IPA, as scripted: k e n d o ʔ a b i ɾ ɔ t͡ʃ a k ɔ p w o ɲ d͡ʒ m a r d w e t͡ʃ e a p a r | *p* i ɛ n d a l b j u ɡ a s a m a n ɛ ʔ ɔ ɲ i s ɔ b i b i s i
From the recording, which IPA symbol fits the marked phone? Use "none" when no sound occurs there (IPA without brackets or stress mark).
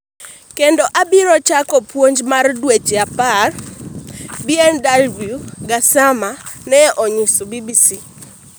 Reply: b